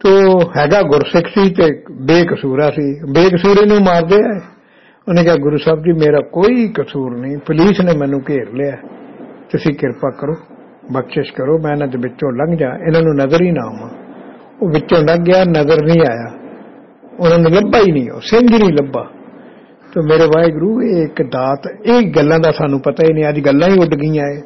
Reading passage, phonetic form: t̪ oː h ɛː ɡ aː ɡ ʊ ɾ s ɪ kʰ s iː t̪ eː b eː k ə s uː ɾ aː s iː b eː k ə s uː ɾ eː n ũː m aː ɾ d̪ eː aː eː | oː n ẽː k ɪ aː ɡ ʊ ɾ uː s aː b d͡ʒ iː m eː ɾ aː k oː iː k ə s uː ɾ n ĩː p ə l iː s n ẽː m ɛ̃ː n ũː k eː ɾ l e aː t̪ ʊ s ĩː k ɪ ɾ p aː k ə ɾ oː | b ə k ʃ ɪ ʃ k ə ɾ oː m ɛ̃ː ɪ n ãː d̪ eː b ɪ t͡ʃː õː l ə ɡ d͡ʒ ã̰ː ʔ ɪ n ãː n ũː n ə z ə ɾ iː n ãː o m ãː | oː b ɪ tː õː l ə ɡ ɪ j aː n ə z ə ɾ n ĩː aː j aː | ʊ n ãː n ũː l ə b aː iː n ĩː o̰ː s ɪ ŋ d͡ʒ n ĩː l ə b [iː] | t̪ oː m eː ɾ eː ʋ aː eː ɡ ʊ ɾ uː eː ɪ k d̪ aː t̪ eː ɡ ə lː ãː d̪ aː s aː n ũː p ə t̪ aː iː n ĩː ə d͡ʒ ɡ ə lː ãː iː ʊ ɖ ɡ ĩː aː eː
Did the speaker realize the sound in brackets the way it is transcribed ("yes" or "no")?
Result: no